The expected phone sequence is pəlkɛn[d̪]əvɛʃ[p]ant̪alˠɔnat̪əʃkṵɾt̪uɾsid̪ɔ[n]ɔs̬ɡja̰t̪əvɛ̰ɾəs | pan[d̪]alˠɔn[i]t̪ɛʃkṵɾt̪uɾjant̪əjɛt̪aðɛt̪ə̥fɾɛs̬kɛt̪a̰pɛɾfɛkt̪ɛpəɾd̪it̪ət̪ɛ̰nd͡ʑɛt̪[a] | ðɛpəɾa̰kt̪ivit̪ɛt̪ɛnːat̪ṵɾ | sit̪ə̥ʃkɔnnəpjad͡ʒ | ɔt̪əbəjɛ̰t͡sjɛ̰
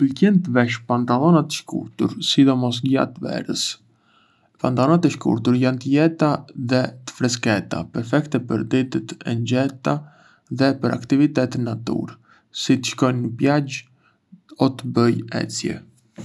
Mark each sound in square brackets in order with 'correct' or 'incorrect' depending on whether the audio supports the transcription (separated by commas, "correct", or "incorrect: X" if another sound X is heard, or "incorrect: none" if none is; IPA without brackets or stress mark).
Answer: incorrect: t̪, correct, incorrect: m, incorrect: t̪, incorrect: a, correct